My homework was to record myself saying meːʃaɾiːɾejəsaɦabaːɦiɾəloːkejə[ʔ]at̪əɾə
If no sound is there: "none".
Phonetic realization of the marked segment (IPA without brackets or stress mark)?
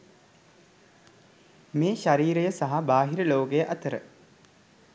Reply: ʔ